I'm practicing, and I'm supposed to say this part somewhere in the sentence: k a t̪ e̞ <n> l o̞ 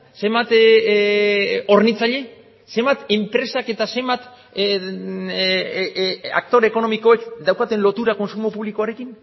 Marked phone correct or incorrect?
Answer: correct